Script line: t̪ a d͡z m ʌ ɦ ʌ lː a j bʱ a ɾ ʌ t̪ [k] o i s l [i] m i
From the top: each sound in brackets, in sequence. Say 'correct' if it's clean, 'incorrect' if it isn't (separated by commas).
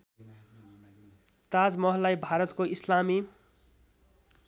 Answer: correct, incorrect